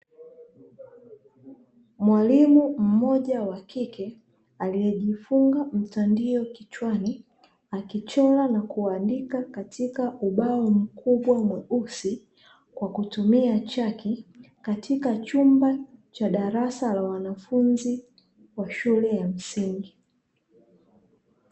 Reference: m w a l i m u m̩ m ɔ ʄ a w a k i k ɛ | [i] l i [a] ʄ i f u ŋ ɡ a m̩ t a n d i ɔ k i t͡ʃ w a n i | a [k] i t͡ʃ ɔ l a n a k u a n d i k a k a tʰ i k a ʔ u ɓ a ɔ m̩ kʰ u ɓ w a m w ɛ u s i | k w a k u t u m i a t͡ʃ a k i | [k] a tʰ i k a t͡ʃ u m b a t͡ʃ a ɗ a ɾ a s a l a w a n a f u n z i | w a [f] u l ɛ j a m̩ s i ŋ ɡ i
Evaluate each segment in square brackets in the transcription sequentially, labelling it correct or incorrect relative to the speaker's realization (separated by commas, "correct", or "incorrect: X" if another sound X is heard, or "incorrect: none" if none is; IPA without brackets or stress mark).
incorrect: a, incorrect: ɛ, correct, correct, incorrect: ʃ